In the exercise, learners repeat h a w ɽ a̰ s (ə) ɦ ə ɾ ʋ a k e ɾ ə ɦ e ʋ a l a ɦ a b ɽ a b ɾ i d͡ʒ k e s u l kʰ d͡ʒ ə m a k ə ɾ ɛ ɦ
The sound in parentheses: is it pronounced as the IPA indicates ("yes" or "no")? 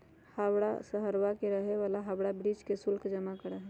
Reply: yes